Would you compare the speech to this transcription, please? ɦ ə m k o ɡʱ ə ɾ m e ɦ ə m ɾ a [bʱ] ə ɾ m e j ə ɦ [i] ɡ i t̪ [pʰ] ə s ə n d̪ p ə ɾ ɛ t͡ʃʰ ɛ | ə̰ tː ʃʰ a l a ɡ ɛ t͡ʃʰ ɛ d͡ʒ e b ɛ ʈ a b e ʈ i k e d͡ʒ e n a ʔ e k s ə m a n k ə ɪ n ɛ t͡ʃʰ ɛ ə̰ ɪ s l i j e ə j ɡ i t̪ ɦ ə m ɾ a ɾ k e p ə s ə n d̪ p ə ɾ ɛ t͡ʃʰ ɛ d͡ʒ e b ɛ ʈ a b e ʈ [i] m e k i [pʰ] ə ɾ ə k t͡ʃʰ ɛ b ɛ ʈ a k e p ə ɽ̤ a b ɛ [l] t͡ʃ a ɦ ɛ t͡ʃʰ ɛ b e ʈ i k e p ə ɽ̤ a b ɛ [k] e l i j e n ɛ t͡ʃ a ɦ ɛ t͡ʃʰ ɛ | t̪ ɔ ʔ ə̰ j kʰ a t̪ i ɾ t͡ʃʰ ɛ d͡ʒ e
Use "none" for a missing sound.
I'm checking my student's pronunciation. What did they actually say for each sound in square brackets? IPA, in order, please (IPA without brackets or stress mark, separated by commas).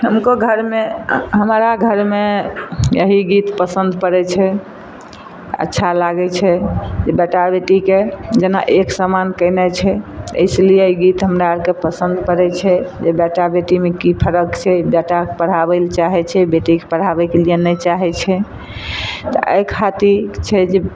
ɡʱ, i, p, i, pʰ, l, k